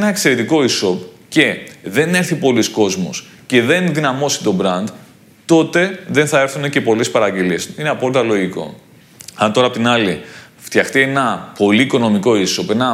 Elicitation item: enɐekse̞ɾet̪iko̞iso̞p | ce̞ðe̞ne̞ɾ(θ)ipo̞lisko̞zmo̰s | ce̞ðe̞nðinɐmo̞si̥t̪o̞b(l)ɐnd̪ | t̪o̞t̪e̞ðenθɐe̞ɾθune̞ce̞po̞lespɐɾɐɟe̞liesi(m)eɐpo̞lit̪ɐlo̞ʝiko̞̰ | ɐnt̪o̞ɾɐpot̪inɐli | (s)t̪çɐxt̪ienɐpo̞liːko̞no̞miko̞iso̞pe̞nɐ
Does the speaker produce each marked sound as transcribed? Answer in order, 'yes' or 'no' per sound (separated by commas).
yes, no, no, no